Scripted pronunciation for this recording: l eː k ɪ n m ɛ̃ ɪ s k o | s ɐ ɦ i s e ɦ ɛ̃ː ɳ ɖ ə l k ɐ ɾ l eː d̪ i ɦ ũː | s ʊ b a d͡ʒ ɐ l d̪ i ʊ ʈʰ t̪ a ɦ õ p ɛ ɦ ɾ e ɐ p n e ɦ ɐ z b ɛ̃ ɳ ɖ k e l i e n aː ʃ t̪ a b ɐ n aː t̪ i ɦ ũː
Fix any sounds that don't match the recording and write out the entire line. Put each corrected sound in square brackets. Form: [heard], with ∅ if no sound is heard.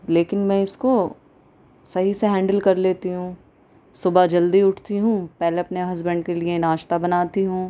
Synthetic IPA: l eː k ɪ n m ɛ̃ ɪ s k o | s ɐ ɦ i s e ɦ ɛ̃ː ɳ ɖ ə l k ɐ ɾ l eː [t̪] i ɦ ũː | s ʊ b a d͡ʒ ɐ l d̪ i ʊ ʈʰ t̪ [i] ɦ [ũ] p ɛ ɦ [l] e ɐ p n e ɦ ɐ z b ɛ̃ ɳ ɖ k e l i e n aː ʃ t̪ a b ɐ n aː t̪ i ɦ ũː